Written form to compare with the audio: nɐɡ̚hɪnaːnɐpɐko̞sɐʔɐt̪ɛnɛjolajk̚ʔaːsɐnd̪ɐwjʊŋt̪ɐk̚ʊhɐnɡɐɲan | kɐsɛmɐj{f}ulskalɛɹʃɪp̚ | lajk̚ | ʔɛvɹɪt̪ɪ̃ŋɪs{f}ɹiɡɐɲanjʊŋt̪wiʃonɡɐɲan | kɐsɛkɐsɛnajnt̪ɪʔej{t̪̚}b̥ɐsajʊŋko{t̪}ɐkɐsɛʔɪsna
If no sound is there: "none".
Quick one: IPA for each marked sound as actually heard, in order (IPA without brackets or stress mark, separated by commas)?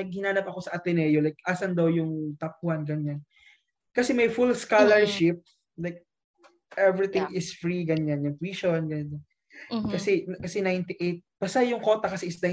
f, f, t̪̚, t̪